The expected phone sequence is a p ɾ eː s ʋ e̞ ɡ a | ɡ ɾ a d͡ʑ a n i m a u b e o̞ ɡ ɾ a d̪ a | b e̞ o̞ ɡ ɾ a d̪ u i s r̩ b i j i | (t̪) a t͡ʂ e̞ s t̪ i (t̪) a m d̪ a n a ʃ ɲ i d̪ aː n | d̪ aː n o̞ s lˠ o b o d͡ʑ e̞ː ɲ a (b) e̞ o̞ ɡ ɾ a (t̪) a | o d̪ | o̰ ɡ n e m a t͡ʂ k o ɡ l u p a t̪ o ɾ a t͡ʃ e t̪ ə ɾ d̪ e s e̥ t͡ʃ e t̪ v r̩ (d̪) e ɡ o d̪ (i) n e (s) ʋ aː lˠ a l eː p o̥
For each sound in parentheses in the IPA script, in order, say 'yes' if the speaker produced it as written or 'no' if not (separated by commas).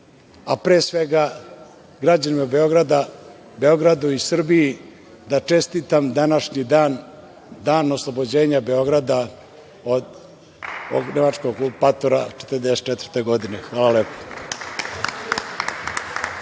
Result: no, yes, yes, no, no, yes, no